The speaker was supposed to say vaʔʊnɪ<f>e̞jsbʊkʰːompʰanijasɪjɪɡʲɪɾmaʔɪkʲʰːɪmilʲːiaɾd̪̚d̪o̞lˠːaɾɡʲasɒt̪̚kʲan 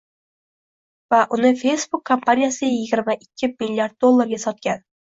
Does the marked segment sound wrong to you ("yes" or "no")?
no